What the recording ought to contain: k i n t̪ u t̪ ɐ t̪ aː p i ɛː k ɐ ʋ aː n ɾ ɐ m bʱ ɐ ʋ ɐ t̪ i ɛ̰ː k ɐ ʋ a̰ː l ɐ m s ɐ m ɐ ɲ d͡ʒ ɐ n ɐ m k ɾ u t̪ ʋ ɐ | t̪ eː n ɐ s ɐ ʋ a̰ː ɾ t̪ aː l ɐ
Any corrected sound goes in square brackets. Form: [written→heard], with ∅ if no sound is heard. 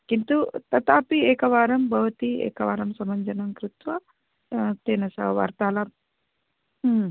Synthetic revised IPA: k i n t̪ u t̪ ɐ t̪ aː p i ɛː k ɐ ʋ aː [n→∅] ɾ ɐ m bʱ ɐ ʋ ɐ t̪ i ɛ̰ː k ɐ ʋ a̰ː [l→ɾ] ɐ m s ɐ m ɐ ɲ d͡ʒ ɐ n ɐ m k ɾ u t̪ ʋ ɐ | t̪ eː n ɐ s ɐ ʋ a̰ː ɾ t̪ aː l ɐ